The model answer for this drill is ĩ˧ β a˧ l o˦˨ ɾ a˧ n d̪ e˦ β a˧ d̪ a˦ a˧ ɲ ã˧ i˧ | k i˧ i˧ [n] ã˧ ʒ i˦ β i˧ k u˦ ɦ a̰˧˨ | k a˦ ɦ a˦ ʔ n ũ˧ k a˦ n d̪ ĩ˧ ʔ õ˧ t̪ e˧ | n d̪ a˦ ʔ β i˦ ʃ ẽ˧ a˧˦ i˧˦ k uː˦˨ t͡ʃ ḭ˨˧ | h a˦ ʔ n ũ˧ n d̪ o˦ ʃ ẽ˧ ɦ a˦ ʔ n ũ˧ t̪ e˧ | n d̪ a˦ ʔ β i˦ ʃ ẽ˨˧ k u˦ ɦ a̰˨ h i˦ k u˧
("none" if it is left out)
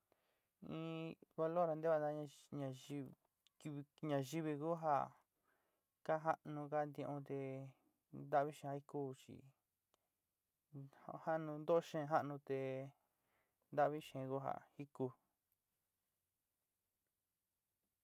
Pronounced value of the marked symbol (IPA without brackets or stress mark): ɲ